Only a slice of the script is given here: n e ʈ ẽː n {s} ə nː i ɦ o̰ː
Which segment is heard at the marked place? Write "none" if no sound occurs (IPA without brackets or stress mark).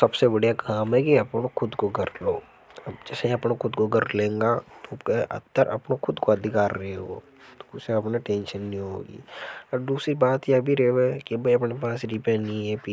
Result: ʃ